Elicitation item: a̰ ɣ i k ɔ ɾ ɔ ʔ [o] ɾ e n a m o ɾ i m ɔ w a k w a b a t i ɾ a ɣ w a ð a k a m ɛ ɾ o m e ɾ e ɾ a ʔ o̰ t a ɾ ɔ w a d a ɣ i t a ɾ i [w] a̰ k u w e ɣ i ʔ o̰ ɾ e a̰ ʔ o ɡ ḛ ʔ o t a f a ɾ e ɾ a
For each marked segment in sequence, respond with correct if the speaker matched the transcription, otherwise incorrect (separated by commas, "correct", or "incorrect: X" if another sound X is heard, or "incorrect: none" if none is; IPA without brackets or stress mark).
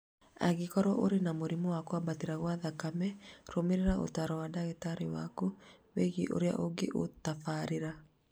correct, correct